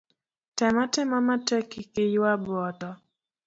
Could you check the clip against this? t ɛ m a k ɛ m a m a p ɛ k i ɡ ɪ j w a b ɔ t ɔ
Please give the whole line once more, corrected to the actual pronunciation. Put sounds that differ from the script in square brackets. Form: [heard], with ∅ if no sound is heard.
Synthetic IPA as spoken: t ɛ m a [t] ɛ m a m a [t] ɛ k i [k] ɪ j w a b ɔ t ɔ